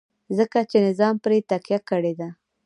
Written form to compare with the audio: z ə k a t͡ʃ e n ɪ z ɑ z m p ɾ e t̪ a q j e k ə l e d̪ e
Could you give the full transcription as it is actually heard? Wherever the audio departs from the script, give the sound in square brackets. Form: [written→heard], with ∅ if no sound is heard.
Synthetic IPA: z ə k a t͡ʃ e n ɪ z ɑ [z→∅] m p ɾ e t̪ a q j [e→a] k ə [l→ɽ] e d̪ [e→a]